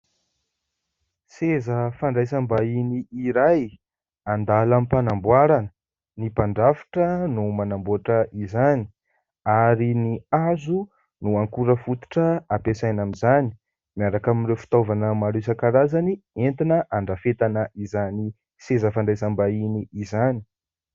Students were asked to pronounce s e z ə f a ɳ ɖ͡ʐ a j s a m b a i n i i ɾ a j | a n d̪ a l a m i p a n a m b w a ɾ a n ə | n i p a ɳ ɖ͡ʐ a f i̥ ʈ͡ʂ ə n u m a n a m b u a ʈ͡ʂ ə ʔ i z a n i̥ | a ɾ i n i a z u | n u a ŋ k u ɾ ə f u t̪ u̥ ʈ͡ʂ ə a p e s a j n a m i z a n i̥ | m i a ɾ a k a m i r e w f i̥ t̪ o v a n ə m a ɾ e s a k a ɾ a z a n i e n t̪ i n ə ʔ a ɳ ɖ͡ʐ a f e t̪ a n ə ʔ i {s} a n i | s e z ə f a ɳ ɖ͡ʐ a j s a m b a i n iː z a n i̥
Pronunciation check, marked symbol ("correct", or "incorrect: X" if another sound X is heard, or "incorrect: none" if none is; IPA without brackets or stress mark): incorrect: z